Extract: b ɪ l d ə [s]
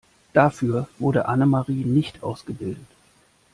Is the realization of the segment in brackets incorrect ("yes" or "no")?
yes